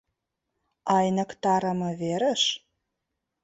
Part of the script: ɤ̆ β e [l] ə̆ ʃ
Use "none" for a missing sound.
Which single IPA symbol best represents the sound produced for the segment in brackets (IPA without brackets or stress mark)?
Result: ɾ